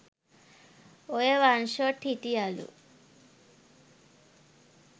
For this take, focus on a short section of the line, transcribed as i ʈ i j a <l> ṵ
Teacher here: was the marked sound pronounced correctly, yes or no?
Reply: yes